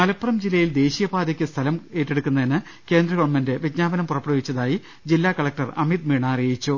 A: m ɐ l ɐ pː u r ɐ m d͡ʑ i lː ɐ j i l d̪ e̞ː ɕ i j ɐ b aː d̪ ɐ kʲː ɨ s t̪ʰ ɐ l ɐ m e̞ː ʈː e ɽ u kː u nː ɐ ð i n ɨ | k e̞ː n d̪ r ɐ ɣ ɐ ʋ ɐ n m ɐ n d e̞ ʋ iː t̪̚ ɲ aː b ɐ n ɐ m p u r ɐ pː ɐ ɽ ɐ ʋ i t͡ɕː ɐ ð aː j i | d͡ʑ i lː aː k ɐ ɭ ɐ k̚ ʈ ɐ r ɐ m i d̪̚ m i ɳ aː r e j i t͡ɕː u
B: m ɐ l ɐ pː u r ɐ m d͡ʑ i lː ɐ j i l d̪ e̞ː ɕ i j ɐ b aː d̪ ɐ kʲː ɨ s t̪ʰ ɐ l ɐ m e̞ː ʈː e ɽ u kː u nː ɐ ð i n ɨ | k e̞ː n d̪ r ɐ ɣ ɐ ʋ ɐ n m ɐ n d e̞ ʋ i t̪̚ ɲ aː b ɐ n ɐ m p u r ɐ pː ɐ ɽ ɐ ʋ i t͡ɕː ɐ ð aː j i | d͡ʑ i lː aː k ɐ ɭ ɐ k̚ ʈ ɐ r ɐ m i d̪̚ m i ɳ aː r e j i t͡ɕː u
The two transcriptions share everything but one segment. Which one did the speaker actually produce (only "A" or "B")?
B